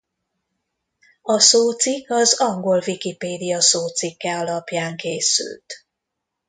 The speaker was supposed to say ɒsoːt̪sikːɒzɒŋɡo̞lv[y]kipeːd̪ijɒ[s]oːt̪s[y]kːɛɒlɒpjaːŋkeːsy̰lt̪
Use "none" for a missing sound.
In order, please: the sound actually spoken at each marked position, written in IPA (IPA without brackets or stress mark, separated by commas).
i, s, i